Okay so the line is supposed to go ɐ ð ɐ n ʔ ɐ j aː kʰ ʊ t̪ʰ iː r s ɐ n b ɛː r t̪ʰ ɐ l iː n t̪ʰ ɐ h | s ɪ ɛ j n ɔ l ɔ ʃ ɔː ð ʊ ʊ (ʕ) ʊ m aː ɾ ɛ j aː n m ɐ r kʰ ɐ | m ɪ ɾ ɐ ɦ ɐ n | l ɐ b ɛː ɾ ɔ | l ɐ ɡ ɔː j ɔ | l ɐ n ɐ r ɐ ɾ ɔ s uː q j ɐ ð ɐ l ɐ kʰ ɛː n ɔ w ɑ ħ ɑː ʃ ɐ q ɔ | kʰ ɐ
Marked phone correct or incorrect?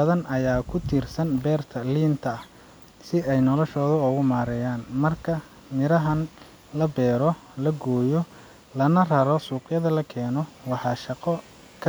incorrect